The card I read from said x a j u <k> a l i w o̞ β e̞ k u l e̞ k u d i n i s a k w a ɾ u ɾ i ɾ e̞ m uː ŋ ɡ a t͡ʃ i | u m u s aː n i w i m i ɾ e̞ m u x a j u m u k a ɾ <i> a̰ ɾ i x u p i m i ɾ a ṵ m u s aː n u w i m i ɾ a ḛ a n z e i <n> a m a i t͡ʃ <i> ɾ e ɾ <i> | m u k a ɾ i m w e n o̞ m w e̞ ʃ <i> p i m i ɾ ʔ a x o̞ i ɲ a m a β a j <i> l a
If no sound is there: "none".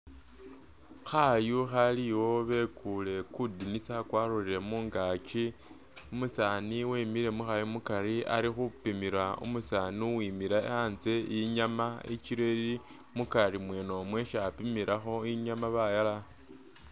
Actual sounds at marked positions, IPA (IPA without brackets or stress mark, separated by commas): x, i, ɲ, i, i, a, a